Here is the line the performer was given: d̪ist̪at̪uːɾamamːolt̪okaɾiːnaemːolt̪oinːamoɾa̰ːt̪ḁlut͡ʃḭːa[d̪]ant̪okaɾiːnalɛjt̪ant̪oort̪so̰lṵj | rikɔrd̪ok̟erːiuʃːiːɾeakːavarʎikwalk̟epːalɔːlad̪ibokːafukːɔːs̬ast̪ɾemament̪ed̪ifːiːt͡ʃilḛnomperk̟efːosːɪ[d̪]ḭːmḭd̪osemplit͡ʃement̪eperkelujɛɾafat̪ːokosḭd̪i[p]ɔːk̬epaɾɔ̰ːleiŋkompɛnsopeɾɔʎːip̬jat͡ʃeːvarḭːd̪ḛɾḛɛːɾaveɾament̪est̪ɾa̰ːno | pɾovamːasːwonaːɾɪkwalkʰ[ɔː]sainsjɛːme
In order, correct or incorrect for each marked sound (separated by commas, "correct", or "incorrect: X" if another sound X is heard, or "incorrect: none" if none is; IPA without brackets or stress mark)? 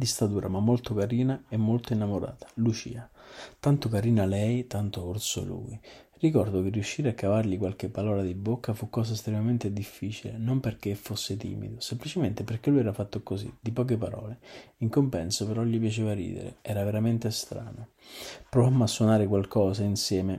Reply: incorrect: t̪, incorrect: t̪, correct, correct